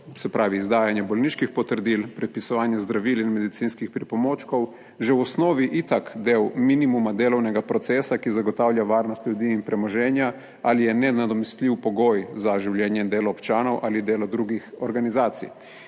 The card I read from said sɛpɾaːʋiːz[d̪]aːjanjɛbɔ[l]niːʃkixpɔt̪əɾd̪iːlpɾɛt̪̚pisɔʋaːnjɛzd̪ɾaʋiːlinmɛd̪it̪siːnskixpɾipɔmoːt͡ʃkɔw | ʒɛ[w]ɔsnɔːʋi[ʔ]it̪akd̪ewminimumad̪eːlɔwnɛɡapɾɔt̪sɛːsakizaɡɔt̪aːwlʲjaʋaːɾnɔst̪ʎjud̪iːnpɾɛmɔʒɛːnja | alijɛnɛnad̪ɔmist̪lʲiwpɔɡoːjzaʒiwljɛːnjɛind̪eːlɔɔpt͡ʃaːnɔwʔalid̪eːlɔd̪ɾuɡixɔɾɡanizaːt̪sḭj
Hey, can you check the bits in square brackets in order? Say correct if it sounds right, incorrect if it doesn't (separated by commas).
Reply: correct, correct, correct, correct